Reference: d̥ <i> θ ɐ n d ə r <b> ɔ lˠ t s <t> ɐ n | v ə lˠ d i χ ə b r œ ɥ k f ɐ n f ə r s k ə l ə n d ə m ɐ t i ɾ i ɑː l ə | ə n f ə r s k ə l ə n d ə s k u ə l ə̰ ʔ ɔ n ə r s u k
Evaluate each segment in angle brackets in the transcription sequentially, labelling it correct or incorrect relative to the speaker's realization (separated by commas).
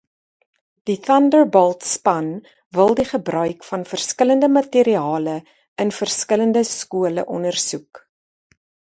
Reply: correct, correct, incorrect